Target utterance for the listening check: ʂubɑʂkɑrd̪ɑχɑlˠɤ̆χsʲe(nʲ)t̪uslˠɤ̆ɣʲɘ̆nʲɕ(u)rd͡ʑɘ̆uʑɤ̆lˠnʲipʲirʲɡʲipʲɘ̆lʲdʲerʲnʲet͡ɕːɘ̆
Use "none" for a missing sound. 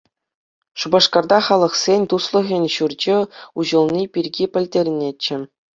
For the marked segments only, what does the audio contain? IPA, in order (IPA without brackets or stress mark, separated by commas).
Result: nʲ, u